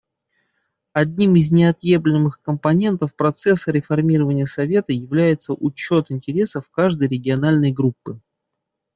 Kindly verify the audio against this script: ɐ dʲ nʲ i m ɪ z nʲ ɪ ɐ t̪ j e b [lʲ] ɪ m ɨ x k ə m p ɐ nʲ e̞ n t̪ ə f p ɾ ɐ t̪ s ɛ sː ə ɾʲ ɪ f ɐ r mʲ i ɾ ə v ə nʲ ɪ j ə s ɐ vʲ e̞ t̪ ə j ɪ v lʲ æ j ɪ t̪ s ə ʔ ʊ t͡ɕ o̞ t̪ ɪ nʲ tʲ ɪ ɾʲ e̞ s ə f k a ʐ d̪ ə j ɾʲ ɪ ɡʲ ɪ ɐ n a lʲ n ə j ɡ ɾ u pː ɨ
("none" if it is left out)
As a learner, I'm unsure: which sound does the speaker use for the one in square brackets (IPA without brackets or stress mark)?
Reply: lʲ